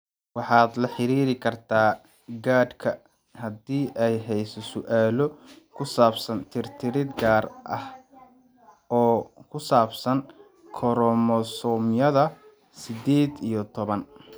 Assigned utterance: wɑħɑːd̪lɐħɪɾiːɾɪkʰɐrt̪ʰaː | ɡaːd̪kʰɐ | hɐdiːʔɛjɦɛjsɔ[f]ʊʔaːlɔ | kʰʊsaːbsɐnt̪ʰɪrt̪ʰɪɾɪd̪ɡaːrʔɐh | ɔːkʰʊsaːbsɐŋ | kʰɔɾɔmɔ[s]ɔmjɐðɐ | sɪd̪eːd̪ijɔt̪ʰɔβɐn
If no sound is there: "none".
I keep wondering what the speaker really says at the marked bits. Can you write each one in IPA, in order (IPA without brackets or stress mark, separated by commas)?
s, s